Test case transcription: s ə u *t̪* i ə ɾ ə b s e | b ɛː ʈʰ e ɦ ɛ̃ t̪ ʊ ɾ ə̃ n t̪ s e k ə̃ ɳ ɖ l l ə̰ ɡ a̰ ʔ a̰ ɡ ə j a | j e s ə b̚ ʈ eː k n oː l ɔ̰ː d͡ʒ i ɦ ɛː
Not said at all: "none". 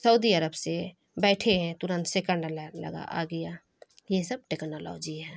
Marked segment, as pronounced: d̪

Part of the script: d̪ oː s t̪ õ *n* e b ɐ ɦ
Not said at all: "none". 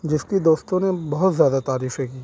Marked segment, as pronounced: n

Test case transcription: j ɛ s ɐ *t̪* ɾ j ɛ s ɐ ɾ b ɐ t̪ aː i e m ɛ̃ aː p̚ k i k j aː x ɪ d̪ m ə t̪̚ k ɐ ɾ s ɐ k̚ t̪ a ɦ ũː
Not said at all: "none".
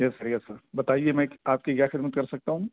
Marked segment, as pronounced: none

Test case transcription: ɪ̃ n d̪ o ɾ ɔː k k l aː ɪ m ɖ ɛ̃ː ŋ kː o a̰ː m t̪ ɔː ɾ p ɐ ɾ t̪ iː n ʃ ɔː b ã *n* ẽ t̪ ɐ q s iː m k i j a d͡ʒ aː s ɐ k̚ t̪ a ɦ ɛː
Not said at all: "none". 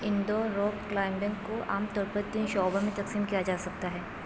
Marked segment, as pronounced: m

